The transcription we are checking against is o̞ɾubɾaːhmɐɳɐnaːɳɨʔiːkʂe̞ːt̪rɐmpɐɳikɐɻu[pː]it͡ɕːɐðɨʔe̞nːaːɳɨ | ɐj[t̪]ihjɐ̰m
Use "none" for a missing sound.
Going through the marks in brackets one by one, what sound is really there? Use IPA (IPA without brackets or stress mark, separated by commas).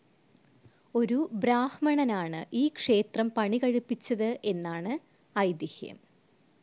pː, d̪